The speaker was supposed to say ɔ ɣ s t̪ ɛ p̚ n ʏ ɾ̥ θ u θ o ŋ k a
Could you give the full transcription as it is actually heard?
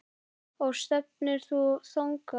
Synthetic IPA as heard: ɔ ɣ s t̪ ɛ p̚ n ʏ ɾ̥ θ u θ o ŋ k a